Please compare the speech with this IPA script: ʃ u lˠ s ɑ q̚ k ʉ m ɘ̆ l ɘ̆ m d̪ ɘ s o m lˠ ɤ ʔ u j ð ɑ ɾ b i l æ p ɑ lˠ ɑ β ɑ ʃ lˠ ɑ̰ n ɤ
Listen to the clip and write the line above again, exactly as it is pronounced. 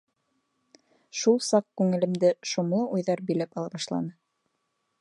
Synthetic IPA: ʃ u lˠ s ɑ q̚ k ʉ ŋ ɘ̆ l ɘ̆ m d̪ ɘ ʃ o m lˠ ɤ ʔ u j ð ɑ ɾ b i l æ p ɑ lˠ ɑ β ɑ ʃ lˠ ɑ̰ n ɤ